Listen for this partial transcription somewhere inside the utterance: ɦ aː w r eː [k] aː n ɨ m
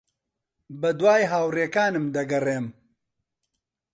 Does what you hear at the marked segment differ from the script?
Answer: no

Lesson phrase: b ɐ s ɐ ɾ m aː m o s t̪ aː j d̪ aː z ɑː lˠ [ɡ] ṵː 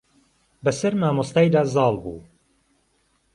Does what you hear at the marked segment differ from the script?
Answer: yes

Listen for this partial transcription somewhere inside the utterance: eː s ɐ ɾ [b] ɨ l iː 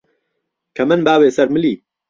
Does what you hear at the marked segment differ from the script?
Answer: yes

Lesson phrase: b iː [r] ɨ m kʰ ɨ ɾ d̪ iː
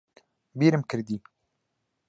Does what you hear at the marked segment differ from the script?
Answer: yes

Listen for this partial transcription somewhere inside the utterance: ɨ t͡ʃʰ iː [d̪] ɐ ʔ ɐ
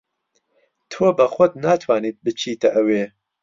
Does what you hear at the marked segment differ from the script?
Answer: yes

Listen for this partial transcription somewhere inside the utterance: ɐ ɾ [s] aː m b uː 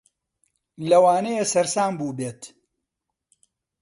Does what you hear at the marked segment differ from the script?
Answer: no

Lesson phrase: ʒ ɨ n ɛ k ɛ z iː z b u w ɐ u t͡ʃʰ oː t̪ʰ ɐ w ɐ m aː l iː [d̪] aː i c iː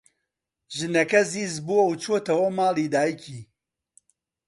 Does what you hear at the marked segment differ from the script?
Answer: no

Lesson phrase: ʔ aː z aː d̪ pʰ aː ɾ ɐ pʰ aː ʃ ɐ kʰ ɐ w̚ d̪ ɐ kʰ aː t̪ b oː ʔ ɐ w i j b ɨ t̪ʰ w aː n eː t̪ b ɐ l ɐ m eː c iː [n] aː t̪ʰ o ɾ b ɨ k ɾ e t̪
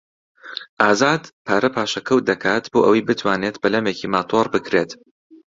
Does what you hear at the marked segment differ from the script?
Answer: yes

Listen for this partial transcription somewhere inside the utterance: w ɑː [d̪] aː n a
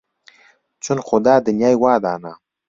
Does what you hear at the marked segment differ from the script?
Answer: no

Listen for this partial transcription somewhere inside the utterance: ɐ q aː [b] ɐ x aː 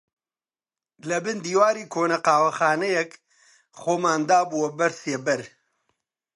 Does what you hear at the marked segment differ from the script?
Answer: yes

